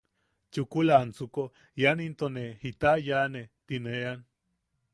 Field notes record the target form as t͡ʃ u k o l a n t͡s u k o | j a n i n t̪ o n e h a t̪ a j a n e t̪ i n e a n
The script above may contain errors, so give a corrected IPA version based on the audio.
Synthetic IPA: t͡ʃ u k u l a n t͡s u k o | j a n i n t̪ o n e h i t̪ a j a n e t̪ i n e a n